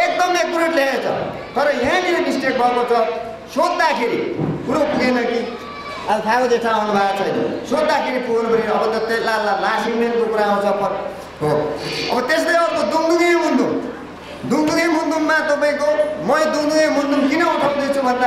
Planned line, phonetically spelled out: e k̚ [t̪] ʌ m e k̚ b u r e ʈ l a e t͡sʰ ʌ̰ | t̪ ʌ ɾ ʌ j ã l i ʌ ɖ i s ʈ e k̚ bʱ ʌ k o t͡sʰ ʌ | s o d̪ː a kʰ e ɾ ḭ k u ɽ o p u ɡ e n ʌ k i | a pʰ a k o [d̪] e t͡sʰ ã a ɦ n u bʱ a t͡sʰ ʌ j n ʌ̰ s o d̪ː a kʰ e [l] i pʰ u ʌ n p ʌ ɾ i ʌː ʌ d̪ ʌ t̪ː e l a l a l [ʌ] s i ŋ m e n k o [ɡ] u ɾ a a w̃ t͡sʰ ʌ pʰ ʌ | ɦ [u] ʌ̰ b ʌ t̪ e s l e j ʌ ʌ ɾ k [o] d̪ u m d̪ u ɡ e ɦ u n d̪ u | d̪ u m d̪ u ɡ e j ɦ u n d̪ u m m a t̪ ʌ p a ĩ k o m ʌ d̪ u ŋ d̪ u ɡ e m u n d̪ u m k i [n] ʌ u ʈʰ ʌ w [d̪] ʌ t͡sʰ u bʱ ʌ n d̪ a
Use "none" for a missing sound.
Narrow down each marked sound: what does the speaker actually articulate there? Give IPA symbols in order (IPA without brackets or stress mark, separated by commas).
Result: d̪, d̪, ɾ, a, k, o, o, n, d̪